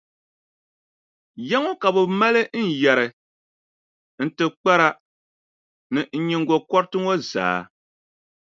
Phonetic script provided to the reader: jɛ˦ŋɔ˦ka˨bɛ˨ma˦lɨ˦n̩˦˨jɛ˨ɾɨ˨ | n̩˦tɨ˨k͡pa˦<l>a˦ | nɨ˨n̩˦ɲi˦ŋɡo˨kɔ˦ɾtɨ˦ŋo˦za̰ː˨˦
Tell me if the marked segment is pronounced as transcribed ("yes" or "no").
no